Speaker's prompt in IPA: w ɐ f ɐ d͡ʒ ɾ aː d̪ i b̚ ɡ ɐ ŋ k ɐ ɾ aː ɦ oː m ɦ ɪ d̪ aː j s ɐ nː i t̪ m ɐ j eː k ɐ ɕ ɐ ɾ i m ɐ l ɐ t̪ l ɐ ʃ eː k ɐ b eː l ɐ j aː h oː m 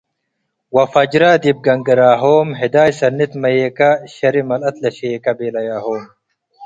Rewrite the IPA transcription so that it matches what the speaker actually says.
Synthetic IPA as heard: w ɐ f ɐ d͡ʒ ɾ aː d̪ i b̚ ɡ ɐ ŋ ɡ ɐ ɾ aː ɦ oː m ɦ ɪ d̪ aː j s ɐ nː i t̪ m ɐ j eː k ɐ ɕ ɐ ɾ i m ɐ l ɐ t̪ l ɐ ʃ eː k ɐ b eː l ɐ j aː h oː m

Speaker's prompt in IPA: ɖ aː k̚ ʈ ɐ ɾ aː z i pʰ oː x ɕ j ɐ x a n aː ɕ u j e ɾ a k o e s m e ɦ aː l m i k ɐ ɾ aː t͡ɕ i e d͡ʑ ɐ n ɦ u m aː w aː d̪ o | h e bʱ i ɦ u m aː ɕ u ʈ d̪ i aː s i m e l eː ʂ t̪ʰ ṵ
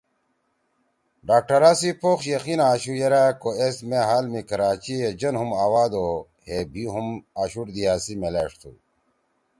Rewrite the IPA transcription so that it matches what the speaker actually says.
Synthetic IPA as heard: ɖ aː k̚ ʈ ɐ ɾ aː s i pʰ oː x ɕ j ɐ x i n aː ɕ u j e ɾ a k o e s m e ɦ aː l m i k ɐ ɾ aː t͡ɕ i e d͡ʑ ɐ n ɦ u m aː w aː d̪ o | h e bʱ i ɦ u m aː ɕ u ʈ d̪ i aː s i m e l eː ʂ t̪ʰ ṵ

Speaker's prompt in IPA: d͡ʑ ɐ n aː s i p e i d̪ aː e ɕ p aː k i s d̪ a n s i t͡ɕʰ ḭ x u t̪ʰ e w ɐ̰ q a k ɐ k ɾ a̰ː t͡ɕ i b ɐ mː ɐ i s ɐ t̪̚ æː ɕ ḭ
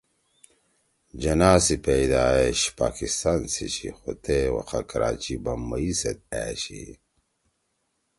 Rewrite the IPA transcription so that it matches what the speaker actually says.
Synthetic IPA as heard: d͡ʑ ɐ n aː s i p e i d̪ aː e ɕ p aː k i s t̪ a n s i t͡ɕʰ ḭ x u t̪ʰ e w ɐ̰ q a k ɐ ɾ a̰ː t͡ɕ i b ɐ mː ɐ i s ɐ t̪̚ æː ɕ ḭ

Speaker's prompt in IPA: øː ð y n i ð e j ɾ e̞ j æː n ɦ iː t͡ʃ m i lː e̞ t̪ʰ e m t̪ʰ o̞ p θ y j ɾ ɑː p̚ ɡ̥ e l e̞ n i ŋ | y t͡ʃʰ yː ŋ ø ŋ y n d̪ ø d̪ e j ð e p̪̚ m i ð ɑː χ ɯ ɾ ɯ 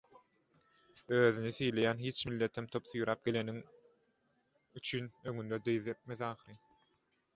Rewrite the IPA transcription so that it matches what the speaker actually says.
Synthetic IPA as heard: øː ð y n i θ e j l e̞ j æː n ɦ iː t͡ʃ m i lː e̞ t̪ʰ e m t̪ʰ o̞ p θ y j ɾ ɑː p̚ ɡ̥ e l e̞ n i ŋ | y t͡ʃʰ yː n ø ŋ y n d̪ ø d̪ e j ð e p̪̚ m e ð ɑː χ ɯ ɾ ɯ

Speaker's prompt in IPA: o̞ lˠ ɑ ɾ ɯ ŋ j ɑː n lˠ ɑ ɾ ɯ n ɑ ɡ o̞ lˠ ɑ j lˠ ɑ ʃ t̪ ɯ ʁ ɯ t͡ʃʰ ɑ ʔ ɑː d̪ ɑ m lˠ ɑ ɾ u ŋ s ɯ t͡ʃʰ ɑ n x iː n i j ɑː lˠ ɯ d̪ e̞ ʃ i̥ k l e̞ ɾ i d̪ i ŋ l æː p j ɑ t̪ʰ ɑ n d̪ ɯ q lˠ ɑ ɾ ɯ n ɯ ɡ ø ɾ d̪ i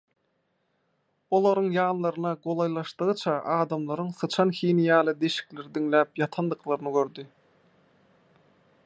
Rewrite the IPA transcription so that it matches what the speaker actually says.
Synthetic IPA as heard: o̞ lˠ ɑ ɾ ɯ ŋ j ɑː n lˠ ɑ ɾ ɯ n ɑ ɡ o̞ lˠ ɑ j lˠ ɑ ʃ t̪ ɯ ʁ ɯ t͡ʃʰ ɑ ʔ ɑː d̪ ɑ m lˠ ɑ ɾ ɯ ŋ s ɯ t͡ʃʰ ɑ n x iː n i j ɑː lˠ ɯ d̪ e̞ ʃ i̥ k l e̞ ɾ i d̪ i ŋ l æː p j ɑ t̪ʰ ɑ n d̪ ɯ q lˠ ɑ ɾ ɯ n ɯ ɡ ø ɾ d̪ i

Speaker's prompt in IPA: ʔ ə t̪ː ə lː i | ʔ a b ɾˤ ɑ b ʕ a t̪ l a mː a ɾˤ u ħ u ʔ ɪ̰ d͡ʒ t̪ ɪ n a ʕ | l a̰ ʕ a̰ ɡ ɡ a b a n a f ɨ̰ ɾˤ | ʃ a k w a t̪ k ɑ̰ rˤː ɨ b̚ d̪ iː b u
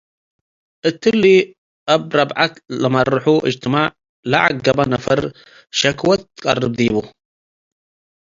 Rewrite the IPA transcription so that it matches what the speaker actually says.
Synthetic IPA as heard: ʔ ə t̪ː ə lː i | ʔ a b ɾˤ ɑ b ʕ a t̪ l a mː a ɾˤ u ħ u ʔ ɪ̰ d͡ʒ t̪ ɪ m a ʕ | l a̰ ʕ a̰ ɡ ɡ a b a n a f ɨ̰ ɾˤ | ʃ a k w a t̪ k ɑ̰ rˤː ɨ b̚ d̪ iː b u

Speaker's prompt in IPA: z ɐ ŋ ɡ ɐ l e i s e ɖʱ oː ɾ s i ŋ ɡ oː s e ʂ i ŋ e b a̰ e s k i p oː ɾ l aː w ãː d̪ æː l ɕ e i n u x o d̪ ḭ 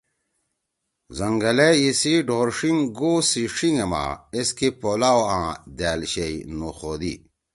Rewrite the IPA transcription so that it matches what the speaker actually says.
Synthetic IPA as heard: z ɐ ŋ ɡ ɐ l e i s i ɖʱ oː ɾ ʂ i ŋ ɡ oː s i ʂ i ŋ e m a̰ e s k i p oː l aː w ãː d̪ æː l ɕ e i n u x o d̪ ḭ

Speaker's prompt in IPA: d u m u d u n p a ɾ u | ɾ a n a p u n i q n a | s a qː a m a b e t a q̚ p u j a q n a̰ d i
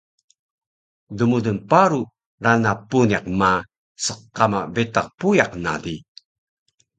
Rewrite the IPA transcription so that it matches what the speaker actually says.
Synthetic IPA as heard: d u m u d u n p a ɾ u | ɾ a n a p u n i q m a | s ə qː a m a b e t a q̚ p u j a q n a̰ d i

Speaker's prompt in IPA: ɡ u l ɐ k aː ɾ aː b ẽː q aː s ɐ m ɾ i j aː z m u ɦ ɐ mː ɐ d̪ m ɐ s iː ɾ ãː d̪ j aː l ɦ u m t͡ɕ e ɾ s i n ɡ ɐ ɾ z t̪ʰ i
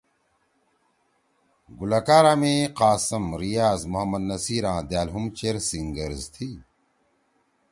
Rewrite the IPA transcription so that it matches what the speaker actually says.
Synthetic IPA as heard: ɡ u l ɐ k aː ɾ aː m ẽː q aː s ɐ m ɾ i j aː z m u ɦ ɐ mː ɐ d̪ n ɐ s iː ɾ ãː d̪ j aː l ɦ u m t͡ɕ e ɾ s i ŋ ɡ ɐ ɾ z t̪ʰ i

